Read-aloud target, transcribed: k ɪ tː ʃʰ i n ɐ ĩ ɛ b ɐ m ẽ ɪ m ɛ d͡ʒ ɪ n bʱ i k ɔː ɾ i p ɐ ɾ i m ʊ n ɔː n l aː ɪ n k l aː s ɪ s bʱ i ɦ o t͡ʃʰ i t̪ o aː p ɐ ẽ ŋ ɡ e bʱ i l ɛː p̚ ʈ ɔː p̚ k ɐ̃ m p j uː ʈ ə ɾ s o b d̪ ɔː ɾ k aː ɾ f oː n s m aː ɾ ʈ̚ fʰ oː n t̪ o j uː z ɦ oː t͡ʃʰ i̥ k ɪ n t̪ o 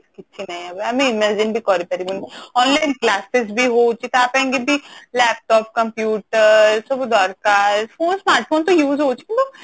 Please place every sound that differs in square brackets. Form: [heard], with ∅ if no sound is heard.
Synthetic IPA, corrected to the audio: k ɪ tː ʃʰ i n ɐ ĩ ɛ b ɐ m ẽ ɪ m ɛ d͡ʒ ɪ n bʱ i k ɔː ɾ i p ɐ ɾ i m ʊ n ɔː n l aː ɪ n k l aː s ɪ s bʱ i ɦ o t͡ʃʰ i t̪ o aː p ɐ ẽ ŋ ɡ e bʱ i l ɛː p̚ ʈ ɔː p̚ k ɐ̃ m p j uː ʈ ə ɾ s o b d̪ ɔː ɾ k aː ɾ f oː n s m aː ɾ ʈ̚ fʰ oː n t̪ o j uː z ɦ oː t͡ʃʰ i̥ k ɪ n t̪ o